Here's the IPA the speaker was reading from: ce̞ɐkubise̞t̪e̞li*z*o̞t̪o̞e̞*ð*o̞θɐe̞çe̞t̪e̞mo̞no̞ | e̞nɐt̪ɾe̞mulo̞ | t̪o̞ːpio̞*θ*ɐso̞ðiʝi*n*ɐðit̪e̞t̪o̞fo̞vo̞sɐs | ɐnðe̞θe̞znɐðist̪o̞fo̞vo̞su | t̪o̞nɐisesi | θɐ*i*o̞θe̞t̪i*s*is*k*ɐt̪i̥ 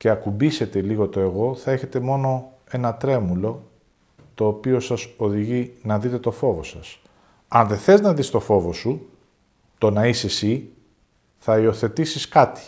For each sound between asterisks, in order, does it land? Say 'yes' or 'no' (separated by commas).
no, no, no, yes, yes, yes, yes